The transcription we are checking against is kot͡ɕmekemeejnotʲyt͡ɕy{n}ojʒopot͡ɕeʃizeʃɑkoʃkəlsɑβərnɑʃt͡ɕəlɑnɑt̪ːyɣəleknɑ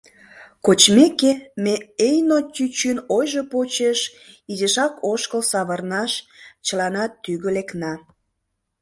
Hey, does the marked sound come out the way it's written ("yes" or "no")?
yes